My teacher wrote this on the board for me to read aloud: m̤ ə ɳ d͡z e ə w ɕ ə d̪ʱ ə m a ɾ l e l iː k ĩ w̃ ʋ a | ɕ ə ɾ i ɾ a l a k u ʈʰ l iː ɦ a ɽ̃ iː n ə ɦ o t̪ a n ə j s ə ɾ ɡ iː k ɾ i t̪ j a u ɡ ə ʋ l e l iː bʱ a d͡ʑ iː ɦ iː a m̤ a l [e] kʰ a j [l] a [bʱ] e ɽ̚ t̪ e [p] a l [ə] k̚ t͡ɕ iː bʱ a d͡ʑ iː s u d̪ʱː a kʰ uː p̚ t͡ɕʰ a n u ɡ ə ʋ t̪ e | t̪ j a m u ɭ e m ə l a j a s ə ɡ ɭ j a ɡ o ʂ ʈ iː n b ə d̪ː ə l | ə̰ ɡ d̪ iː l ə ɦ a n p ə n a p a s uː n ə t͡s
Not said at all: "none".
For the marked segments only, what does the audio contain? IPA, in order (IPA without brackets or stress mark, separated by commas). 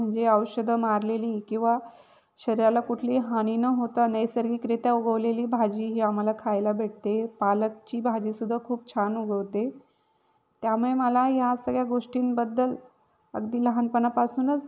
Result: a, l, bʱ, p, ə